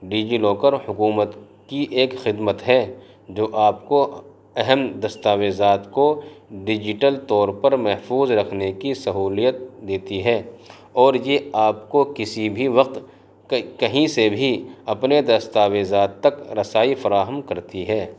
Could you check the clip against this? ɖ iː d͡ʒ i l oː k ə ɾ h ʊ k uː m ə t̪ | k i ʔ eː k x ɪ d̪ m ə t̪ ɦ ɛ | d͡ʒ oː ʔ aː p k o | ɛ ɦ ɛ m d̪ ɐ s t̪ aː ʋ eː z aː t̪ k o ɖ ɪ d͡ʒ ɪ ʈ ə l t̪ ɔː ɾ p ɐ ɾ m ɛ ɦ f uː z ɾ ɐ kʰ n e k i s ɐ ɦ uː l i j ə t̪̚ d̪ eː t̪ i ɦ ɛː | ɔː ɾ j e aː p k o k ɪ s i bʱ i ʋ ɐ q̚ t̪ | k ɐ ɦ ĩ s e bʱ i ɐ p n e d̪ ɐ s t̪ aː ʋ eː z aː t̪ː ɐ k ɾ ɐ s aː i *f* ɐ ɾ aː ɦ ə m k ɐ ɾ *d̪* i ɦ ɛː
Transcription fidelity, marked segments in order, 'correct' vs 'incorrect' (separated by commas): correct, incorrect